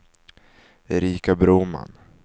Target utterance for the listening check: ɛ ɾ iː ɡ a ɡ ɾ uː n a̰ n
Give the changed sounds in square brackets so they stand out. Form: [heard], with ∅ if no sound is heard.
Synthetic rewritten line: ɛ ɾ iː [k] a [b] ɾ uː [m] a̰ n